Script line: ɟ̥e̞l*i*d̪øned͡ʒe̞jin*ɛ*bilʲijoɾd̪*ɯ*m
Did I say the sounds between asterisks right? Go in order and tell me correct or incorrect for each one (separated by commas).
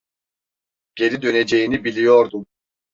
correct, incorrect, incorrect